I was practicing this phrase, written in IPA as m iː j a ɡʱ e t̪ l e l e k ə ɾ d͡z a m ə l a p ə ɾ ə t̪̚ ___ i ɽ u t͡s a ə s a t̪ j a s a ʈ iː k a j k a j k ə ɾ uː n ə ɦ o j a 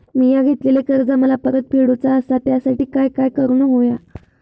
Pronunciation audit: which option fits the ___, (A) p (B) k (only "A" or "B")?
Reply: A